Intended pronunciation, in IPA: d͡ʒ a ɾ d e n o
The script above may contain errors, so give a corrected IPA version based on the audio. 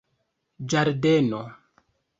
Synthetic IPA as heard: d͡ʒ a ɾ d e n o